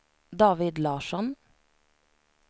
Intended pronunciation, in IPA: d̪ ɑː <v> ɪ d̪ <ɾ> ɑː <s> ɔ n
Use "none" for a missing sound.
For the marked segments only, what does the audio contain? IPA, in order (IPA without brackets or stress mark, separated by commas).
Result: ʋ, l, ʃ